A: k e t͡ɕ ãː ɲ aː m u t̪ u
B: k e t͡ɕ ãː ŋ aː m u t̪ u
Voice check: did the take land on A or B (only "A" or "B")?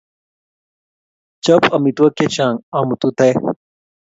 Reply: B